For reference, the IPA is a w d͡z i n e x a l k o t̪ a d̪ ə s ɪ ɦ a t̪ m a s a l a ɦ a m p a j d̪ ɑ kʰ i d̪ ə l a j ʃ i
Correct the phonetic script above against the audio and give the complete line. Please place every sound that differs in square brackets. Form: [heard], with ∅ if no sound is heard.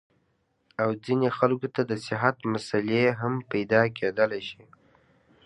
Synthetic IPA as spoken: a w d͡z i n e x a l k o t̪ a d̪ ə s ɪ ɦ a t̪ m a s a l [e] ɦ a m p a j d̪ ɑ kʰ [e] d̪ ə l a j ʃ i